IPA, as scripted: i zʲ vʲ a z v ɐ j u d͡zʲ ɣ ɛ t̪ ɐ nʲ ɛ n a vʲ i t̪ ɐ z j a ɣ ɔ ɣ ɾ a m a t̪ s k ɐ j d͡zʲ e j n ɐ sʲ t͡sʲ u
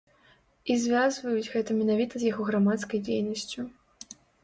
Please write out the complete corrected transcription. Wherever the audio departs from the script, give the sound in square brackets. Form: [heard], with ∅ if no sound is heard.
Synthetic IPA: i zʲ vʲ a z v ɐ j u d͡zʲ ɣ ɛ t̪ ɐ [mʲ] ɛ n a vʲ i t̪ ɐ z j a ɣ ɔ ɣ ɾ a m a t̪ s k ɐ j d͡zʲ e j n ɐ sʲ t͡sʲ u